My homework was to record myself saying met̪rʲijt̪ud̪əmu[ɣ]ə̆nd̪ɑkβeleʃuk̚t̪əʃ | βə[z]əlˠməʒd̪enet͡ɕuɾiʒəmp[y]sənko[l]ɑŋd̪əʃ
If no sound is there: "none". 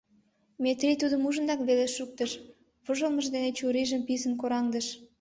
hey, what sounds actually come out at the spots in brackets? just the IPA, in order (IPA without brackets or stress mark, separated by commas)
ʒ, ʒ, i, ɾ